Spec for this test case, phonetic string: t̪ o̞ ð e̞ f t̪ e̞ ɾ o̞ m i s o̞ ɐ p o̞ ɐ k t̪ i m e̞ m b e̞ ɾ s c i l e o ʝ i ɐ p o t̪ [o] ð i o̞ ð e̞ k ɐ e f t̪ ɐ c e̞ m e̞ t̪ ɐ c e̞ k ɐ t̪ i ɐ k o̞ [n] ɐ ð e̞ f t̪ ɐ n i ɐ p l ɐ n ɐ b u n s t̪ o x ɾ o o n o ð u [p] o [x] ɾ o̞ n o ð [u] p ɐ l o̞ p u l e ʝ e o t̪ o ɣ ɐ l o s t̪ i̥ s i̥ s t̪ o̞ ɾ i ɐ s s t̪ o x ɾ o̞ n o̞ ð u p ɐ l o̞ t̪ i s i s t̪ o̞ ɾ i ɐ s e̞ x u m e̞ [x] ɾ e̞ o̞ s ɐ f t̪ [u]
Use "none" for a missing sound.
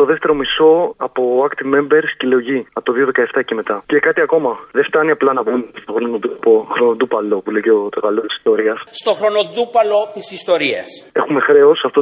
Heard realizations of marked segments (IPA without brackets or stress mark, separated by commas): o, m, p, x, u, x, o